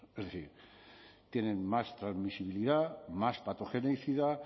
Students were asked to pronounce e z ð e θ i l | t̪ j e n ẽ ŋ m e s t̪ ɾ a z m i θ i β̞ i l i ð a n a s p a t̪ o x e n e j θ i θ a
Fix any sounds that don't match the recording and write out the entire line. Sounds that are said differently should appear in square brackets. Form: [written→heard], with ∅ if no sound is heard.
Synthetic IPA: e z ð e θ i [l→ɾ] | t̪ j e n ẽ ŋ m [e→a] s t̪ ɾ a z m i [θ→s] i β̞ i l i ð a [n→m] a s p a t̪ o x e n e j θ i [θ→ð] a